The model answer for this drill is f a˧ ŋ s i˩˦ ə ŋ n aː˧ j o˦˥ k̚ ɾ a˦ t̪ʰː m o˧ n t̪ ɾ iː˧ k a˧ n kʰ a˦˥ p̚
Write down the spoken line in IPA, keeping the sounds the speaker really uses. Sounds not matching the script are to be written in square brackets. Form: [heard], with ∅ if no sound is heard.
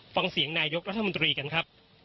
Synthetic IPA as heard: f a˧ ŋ s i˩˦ ə ŋ n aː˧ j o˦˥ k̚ ɾ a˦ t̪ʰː m o˧ n t̪ ɾ iː˧ k a˧ n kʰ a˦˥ p̚